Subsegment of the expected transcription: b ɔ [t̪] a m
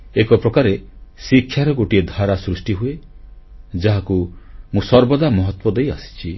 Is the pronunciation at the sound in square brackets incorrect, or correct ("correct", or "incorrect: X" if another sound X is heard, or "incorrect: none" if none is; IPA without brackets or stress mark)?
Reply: incorrect: d̪